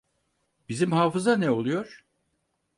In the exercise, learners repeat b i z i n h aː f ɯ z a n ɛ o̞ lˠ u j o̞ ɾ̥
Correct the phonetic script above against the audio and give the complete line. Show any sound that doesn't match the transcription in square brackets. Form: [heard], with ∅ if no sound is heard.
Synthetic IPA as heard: b i z i [m] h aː f ɯ z a n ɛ o̞ lˠ u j o̞ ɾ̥